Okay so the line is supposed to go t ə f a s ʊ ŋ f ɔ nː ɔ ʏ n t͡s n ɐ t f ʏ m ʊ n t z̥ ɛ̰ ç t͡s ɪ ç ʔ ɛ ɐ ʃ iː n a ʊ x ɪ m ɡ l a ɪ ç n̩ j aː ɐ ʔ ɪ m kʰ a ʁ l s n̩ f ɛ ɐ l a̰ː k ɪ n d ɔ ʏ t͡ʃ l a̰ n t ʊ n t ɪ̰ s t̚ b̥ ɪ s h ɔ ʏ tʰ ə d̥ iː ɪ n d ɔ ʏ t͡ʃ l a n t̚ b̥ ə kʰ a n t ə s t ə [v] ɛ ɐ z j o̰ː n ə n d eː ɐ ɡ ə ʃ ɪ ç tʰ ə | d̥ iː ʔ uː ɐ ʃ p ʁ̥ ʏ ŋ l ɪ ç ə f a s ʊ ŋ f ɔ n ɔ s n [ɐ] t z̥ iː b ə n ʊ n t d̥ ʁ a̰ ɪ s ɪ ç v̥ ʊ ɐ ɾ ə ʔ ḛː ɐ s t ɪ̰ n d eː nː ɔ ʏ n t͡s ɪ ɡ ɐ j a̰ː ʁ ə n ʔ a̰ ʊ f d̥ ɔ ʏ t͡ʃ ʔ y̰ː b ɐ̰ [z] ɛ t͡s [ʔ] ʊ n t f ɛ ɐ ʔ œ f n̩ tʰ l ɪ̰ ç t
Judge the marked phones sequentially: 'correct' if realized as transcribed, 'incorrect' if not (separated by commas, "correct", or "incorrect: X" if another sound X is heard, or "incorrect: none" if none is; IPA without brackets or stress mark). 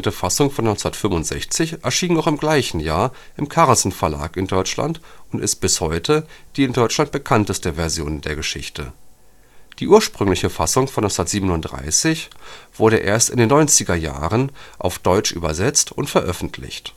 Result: correct, correct, correct, incorrect: t